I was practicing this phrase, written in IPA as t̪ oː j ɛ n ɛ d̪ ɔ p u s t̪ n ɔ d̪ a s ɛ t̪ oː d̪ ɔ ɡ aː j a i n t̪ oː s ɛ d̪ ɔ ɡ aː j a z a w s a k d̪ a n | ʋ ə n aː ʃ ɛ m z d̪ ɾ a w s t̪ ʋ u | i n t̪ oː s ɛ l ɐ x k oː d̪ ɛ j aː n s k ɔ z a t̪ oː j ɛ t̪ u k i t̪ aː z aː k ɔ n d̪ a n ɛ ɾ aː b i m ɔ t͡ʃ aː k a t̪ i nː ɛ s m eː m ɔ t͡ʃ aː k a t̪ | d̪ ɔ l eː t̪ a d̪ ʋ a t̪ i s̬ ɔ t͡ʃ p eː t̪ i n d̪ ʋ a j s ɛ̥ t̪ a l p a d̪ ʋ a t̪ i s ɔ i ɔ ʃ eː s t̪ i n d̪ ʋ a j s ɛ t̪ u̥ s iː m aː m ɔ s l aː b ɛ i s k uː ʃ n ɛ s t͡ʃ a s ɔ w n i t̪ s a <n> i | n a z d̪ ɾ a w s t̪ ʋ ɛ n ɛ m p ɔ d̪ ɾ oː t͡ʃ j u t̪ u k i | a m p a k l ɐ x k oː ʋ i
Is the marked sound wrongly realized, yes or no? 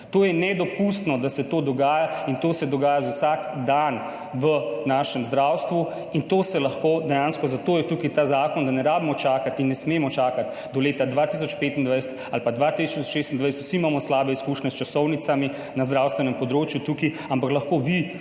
yes